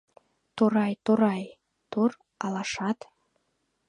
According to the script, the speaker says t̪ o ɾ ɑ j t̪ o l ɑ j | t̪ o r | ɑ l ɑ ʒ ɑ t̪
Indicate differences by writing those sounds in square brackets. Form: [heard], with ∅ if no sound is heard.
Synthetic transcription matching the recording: t̪ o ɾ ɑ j t̪ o [ɾ] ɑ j | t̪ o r | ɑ l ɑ [ʃ] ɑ t̪

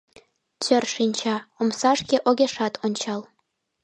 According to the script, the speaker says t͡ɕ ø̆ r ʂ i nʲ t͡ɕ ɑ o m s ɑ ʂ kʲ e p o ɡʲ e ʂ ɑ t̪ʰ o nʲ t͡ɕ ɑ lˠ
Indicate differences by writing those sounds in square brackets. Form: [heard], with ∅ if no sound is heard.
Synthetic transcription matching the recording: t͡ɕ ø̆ r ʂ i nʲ t͡ɕ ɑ o m s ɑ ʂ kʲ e [ʔ] o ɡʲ e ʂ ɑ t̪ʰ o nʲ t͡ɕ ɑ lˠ

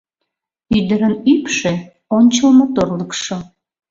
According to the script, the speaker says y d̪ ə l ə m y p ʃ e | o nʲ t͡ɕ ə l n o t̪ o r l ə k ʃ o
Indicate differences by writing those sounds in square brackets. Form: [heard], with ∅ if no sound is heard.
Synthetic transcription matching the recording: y d̪ ə [ɾ] ə [n] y p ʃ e | o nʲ t͡ɕ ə l [m] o t̪ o r l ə k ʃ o

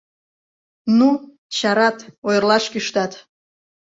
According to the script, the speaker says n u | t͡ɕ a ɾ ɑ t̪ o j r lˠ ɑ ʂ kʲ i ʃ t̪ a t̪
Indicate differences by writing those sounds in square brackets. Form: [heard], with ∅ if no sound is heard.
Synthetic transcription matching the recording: n u | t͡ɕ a ɾ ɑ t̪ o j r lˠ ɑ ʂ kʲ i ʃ t̪ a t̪

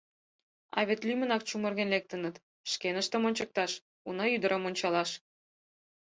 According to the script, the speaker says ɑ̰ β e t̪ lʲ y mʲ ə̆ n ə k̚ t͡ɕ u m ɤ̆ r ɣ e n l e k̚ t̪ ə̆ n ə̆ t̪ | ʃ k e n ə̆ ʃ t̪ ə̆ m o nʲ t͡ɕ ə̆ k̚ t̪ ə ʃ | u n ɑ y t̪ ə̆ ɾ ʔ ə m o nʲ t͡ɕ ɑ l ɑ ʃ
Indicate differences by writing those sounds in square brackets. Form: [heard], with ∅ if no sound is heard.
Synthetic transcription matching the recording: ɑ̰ β e t̪ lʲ y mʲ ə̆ n [ɑ] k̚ t͡ɕ u m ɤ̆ r ɣ e n l e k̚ t̪ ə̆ n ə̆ t̪ | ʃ k e n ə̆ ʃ t̪ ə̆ m o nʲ t͡ɕ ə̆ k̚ t̪ [ɑ] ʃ | u n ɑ y [d̪] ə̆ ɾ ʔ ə m o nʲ t͡ɕ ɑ l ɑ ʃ

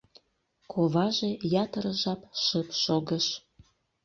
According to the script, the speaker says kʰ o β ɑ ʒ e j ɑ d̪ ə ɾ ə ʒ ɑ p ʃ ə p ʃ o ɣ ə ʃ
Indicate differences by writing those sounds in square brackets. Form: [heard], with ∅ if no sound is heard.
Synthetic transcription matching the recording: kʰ o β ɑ ʒ e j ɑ [t̪] ə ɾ ə ʒ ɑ p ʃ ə p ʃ o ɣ ə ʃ

